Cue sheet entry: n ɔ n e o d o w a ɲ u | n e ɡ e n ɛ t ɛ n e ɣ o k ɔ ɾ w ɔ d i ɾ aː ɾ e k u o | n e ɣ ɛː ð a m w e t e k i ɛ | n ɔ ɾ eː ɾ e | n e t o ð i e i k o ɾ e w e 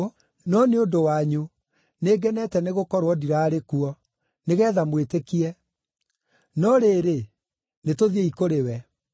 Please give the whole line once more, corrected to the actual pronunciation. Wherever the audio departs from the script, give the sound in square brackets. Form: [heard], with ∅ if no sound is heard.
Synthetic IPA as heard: n ɔ n e o d o w a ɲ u | n e ɡ [ɛ] n ɛ t ɛ n e ɣ o k ɔ ɾ w ɔ d i ɾ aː ɾ e k u [ɔ] | n e ɣ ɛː ð a m w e t e k i ɛ | n ɔ ɾ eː ɾ e | n e t o ð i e i k o ɾ e w [ɛ]